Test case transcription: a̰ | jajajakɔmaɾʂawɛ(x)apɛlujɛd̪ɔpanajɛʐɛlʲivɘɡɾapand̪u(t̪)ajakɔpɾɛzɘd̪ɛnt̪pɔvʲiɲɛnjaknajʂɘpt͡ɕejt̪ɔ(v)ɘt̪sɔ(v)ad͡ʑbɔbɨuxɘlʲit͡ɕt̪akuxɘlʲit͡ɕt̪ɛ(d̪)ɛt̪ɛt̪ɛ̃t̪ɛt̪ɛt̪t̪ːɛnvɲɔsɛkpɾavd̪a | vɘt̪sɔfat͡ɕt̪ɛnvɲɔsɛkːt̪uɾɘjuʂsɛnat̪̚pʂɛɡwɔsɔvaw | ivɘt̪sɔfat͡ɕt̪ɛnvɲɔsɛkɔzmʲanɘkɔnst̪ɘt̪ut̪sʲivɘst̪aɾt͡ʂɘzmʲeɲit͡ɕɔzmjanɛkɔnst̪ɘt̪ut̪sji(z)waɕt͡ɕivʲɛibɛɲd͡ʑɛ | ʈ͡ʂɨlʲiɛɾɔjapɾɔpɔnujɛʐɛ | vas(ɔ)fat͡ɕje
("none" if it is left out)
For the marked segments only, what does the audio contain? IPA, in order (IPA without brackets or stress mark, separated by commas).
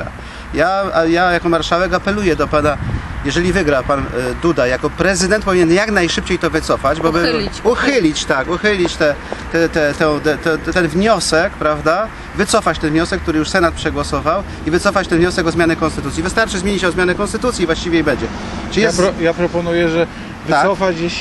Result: k, d̪, v, f, t̪, v, ɔ